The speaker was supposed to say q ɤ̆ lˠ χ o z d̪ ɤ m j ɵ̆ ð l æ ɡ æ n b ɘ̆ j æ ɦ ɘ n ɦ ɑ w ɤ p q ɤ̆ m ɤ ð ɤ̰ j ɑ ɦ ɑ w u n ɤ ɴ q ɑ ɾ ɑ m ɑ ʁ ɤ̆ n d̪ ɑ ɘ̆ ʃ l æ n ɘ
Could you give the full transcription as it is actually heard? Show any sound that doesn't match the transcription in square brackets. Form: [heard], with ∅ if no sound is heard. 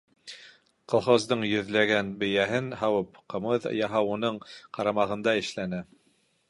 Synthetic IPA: q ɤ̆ lˠ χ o z d̪ ɤ [ɴ] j ɵ̆ ð l æ ɡ æ n b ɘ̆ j æ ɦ ɘ n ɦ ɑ w ɤ p q ɤ̆ m ɤ ð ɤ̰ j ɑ ɦ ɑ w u n ɤ ɴ q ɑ ɾ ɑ m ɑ ʁ ɤ̆ n d̪ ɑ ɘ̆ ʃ l æ n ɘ